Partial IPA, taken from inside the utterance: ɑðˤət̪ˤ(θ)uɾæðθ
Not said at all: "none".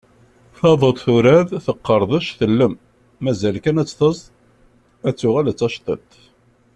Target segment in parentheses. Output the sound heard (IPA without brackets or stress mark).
θ